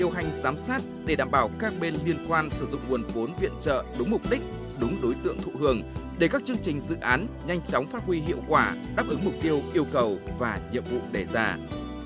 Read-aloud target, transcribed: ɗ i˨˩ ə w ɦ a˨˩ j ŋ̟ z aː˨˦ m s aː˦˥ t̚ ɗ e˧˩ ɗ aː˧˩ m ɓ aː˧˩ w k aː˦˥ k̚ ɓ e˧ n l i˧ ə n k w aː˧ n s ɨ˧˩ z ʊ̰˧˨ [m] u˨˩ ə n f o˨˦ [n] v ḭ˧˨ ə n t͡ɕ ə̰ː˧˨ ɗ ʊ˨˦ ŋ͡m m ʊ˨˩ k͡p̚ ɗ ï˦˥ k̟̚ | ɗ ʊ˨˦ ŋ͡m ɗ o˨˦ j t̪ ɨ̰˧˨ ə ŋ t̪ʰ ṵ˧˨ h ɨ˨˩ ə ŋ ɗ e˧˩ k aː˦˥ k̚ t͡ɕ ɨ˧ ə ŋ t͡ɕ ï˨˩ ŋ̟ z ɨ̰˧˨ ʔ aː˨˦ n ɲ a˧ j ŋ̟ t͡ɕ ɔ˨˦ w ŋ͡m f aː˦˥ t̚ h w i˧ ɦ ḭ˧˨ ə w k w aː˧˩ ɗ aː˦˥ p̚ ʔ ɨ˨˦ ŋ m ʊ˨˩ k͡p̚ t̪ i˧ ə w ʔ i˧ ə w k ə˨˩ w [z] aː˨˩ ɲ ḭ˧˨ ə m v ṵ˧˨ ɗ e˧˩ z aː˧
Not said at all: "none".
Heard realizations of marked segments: ŋ͡m, n, v

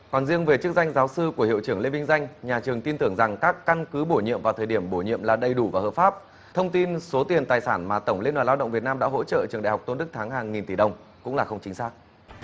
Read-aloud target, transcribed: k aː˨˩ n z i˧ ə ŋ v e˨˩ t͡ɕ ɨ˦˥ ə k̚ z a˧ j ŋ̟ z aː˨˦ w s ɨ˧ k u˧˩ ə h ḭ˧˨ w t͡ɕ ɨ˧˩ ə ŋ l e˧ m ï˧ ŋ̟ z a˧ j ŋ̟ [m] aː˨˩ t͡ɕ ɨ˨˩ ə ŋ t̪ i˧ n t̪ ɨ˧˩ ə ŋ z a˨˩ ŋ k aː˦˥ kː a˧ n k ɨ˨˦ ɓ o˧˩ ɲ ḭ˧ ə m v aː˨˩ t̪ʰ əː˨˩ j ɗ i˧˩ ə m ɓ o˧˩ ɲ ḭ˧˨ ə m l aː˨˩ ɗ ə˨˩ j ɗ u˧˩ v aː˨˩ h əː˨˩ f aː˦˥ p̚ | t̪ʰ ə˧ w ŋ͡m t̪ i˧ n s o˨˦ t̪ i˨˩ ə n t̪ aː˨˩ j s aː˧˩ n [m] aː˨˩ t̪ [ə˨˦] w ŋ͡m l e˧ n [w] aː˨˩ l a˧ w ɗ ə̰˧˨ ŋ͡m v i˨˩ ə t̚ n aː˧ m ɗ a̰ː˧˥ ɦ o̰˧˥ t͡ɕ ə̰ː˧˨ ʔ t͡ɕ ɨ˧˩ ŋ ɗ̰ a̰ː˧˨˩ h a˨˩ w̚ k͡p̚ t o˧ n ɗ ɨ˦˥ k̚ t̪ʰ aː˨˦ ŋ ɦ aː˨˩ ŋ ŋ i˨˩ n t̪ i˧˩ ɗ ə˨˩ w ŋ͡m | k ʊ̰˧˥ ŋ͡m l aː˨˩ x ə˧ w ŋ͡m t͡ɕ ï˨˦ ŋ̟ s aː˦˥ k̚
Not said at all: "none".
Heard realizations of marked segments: ɲ, m, ə˧˩, w

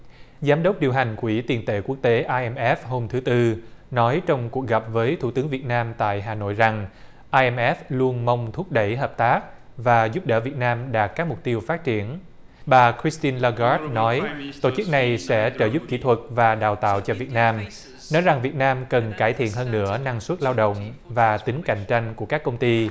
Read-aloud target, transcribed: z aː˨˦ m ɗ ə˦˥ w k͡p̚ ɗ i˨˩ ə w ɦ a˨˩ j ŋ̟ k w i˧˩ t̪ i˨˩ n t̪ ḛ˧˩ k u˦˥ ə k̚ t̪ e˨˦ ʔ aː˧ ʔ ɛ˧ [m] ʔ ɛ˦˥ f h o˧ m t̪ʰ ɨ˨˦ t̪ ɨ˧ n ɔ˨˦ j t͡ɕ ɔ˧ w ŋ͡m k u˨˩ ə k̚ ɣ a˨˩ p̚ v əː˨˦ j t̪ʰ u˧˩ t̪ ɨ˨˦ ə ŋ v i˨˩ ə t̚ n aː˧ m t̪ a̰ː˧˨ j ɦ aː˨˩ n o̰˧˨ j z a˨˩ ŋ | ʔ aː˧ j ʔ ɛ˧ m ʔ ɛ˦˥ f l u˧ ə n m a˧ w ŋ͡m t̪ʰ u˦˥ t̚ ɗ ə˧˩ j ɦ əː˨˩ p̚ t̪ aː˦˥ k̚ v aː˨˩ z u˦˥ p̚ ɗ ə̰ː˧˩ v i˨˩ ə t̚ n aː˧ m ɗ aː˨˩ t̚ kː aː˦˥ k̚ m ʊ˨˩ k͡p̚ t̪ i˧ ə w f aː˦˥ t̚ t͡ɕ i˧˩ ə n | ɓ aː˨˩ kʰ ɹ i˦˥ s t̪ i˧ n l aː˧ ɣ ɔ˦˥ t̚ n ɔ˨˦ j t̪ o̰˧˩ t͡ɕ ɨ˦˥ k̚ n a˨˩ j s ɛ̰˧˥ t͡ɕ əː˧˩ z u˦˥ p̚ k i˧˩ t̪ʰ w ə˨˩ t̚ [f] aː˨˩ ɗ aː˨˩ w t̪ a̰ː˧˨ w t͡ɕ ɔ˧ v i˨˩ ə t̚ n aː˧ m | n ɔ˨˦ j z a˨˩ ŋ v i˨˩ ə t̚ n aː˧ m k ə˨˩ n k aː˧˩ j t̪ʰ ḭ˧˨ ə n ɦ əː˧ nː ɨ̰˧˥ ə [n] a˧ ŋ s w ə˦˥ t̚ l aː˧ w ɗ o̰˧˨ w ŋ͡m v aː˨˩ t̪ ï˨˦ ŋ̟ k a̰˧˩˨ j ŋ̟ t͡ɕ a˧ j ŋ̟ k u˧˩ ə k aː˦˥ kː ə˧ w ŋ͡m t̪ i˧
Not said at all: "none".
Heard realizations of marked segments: m, v, n

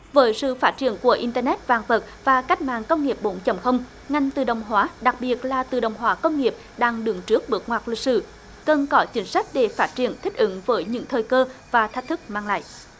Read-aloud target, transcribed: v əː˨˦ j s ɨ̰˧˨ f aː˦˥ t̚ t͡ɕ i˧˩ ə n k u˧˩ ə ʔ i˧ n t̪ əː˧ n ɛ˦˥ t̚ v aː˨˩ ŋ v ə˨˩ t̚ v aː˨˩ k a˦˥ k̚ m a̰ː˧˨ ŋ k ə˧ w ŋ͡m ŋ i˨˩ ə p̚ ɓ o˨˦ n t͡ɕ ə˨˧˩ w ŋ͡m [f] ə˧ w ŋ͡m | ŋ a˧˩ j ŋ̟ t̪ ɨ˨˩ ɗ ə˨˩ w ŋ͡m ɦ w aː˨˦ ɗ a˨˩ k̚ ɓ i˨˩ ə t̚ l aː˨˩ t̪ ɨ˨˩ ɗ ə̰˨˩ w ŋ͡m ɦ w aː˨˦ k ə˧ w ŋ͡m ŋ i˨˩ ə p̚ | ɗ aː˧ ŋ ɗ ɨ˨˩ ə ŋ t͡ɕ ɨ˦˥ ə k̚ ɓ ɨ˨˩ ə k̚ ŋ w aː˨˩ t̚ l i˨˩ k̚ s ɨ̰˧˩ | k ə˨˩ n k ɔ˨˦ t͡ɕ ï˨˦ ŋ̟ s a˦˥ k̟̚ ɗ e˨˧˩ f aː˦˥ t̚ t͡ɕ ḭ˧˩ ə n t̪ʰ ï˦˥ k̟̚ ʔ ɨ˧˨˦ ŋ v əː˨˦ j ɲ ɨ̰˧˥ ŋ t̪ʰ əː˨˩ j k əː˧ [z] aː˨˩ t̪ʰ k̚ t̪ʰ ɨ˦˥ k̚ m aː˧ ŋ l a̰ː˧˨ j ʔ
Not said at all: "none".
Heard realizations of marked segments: x, v

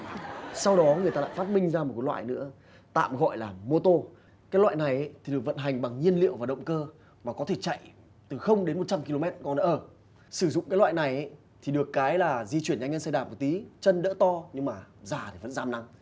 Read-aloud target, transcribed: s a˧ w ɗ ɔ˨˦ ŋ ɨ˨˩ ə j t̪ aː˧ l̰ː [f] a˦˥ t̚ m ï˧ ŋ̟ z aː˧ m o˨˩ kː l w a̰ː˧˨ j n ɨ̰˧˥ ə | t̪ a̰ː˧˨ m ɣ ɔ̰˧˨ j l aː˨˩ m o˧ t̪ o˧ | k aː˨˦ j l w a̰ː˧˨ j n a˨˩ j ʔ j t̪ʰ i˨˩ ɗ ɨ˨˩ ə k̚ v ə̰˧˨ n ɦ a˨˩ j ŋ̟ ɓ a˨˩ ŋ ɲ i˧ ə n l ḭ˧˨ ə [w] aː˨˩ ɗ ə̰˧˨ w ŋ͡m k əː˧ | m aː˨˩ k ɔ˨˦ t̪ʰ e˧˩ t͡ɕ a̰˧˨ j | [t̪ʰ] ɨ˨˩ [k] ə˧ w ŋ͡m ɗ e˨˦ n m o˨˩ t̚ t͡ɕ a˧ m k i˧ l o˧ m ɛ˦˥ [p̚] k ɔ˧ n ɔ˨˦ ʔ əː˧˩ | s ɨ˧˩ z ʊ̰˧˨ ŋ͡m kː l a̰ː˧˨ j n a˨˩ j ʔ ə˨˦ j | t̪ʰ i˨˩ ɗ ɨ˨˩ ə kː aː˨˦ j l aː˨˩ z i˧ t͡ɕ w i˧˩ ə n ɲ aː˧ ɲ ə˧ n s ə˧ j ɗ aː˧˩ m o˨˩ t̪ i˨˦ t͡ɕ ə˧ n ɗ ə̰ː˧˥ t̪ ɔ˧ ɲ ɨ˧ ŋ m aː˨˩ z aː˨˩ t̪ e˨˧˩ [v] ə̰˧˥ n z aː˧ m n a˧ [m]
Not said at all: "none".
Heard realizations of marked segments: f, w, t̪, x, t̚, v, ŋ

